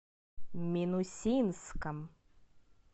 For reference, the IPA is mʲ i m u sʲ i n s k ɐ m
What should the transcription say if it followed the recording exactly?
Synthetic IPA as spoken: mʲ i n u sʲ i n s k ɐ m